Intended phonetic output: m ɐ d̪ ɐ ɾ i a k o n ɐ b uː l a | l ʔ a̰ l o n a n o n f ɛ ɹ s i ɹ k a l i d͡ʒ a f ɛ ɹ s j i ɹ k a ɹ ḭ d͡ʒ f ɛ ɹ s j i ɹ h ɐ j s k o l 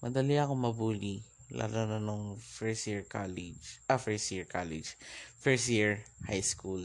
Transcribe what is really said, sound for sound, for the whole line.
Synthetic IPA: m ɐ d̪ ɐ l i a k o m ɐ b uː l i | l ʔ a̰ l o n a n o ŋ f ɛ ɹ s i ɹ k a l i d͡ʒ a f ɛ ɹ s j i ɹ k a l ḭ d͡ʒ f ɛ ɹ s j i ɹ h a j s k u l